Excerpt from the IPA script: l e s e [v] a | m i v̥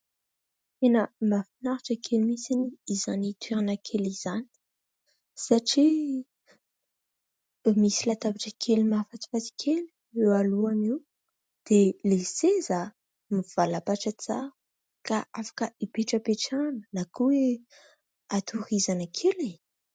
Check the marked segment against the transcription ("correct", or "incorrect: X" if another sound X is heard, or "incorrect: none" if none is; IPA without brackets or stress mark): incorrect: z